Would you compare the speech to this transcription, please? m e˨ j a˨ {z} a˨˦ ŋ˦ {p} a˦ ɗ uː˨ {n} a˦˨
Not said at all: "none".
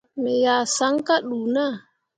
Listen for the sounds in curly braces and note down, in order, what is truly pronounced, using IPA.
s, k, n

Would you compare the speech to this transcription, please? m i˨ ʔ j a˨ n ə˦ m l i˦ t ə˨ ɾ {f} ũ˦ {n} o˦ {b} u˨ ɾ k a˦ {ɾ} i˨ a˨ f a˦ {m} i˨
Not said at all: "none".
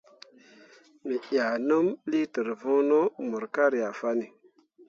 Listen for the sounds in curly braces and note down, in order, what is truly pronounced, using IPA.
v, n, m, ɾ, n

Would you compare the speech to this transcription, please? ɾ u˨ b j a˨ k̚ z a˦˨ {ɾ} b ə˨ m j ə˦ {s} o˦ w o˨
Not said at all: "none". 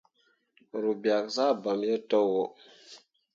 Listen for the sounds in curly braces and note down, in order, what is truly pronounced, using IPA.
none, t

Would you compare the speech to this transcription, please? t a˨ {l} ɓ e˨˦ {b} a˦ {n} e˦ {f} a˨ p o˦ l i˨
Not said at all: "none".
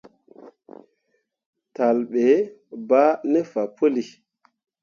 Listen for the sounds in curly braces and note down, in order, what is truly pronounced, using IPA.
l, b, n, f

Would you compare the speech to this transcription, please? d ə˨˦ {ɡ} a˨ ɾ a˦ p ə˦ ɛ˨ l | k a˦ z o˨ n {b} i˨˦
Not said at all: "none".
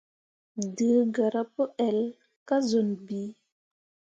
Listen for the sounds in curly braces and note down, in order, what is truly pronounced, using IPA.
ɡ, b

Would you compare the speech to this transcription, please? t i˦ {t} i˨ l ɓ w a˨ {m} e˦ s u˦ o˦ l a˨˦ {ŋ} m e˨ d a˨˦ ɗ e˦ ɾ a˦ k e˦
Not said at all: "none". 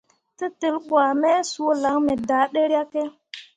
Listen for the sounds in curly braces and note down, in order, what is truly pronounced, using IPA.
t, m, ŋ

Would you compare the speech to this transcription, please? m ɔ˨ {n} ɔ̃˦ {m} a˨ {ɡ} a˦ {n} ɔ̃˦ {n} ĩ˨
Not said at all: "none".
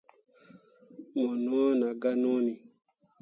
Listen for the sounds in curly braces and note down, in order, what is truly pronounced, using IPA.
n, n, ɡ, n, n

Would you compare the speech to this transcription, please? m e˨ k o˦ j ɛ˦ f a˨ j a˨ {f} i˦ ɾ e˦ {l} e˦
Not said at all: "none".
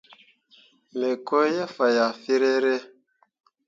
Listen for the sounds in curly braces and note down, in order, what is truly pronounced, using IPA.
f, ɾ

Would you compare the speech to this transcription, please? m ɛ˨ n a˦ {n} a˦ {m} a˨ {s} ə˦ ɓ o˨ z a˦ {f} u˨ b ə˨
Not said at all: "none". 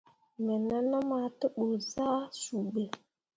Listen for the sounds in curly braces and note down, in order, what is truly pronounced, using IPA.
n, m, t, s

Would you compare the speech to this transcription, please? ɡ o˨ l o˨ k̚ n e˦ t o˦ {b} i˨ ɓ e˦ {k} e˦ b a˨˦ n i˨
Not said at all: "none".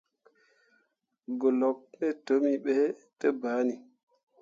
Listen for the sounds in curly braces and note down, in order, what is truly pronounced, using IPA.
m, t

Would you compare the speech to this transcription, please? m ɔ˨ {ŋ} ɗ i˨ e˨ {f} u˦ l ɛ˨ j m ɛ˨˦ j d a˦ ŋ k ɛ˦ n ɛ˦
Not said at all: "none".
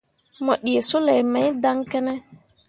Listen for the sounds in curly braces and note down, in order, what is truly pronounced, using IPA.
none, s

